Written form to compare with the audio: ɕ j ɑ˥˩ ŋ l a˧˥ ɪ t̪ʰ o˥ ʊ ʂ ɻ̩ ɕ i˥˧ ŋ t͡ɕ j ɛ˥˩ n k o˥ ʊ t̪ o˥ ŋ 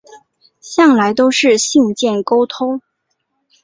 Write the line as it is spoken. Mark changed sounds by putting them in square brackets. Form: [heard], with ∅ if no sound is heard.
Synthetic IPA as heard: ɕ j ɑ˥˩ ŋ l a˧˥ ɪ [t̪] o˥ ʊ ʂ ɻ̩ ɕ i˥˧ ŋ t͡ɕ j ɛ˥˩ n k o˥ ʊ [t̪ʰ] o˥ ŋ